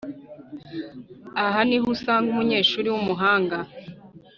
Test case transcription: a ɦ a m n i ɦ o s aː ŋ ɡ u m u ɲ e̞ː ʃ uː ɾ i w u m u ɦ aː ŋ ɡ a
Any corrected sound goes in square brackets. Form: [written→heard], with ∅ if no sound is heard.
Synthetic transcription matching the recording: a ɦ a [m→∅] n i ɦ [o→u] s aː ŋ ɡ u m u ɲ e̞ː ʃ uː ɾ i w u m u ɦ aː ŋ ɡ a